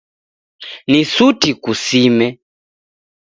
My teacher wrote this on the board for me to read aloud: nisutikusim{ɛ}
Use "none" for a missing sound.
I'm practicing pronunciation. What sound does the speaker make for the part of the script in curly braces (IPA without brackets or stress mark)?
ɛ